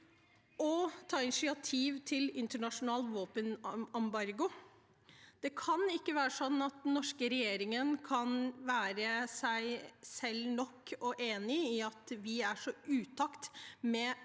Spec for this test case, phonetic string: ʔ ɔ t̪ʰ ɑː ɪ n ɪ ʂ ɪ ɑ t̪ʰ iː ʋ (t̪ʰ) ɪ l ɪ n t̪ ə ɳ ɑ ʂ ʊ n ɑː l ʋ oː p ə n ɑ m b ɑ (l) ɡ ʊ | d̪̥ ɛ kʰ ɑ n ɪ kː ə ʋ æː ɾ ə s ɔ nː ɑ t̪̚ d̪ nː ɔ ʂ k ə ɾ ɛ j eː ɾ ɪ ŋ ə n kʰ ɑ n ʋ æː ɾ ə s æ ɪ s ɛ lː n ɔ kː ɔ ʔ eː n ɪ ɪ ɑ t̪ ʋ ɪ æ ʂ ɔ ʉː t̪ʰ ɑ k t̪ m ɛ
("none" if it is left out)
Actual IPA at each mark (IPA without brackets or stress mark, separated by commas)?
t̪ʰ, ɾ